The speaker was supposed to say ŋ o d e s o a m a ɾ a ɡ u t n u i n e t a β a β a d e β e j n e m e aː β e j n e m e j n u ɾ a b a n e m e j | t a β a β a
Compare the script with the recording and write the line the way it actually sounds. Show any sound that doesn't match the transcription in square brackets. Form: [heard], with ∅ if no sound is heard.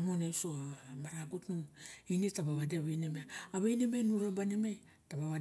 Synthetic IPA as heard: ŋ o [n] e s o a m a ɾ a ɡ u t n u i n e t a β a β a d e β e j n e m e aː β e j n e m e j n u ɾ a b a n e m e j | t a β a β a